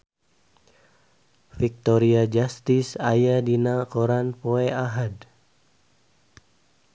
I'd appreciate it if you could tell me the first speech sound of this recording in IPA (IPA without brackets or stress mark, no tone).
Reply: f